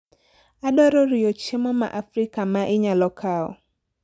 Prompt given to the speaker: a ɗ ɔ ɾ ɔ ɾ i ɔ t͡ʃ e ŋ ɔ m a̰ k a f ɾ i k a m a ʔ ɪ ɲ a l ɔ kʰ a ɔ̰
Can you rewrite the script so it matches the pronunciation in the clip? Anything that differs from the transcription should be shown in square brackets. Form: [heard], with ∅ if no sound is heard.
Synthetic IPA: a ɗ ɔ ɾ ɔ ɾ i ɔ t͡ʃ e [m] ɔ m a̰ [ʔ] a f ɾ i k a m a ʔ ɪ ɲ a l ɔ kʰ a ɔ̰